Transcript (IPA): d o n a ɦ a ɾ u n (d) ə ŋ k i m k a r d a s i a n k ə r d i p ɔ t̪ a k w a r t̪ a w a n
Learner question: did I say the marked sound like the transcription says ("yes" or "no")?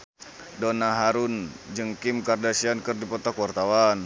no